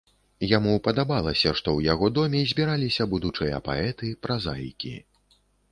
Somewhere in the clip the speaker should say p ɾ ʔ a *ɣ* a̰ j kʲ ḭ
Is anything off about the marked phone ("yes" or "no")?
yes